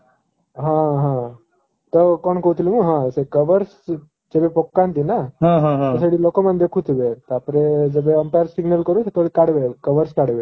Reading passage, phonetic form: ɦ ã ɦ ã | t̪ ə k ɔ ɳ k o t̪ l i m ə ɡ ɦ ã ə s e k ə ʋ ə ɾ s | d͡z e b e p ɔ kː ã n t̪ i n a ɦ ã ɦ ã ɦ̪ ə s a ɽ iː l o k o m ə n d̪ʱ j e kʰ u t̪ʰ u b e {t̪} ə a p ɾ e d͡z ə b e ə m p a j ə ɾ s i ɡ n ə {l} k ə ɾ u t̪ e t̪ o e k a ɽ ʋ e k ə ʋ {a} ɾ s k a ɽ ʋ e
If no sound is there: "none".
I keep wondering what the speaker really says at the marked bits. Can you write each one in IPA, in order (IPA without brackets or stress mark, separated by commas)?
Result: t̪, l, ə